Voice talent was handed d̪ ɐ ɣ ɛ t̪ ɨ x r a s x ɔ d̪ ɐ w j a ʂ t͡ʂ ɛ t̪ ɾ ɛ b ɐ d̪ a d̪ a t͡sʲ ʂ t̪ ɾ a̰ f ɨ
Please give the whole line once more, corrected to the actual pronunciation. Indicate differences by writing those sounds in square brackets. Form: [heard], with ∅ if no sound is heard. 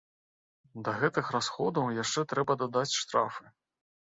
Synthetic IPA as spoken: d̪ ɐ ɣ ɛ t̪ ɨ x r a s x ɔ d̪ ɐ w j a ʂ t͡ʂ ɛ t̪ ɾ ɛ b ɐ d̪ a d̪ a t͡sʲ ʂ t̪ ɾ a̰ f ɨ